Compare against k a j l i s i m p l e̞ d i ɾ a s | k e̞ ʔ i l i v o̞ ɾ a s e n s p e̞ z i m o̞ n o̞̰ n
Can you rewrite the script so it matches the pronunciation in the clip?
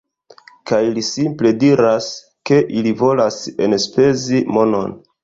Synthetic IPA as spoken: k a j l i s i m p l e̞ d i ɾ a s | k e̞ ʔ i l i v o̞ l a s e n s p e̞ z i m o̞ n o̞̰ n